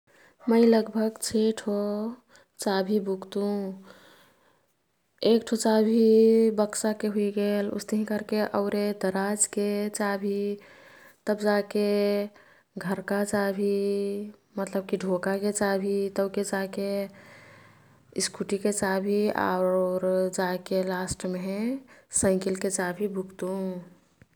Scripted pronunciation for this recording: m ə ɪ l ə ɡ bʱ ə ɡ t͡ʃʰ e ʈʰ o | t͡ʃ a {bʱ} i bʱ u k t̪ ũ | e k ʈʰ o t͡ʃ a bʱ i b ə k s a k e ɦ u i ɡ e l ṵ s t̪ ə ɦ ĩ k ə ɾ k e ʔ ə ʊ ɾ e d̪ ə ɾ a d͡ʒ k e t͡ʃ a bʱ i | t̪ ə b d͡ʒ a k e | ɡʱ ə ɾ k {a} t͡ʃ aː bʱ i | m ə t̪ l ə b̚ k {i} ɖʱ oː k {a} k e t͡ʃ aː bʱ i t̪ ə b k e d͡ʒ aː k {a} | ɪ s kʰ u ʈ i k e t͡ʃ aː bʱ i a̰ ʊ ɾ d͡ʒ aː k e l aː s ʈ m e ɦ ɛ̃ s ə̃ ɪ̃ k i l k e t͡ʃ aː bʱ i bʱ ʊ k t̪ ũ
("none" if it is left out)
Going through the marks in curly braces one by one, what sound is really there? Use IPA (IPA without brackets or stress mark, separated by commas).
bʱ, a, i, a, e